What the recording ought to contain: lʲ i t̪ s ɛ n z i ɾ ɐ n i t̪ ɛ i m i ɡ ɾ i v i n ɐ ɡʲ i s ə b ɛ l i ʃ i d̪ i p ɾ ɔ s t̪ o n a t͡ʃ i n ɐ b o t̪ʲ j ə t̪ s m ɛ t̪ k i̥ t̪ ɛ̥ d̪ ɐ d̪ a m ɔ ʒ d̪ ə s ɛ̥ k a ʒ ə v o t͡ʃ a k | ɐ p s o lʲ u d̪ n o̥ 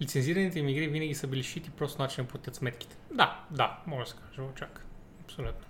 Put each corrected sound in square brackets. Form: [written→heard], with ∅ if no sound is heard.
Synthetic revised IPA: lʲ i t̪ s ɛ n z i ɾ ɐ n i t̪ ɛ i m i ɡ ɾ i v i n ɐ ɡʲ i s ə b [ɛ→i] l i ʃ i [d̪→t̪] i p ɾ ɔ s t̪ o n a t͡ʃ i n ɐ [b→p] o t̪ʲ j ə t̪ s m ɛ t̪ k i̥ t̪ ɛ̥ d̪ [ɐ→a] d̪ a m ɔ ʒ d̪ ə s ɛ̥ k a ʒ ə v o t͡ʃ a k | ɐ p s o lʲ u [d̪→t̪] n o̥